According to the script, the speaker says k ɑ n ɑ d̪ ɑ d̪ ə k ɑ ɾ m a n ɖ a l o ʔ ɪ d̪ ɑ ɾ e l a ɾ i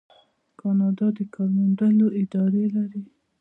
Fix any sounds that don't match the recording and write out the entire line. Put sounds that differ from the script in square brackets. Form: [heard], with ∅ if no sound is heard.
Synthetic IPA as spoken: k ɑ n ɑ d̪ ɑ d̪ ə k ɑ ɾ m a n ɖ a l o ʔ ɪ d̪ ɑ ɾ e l a ɾ i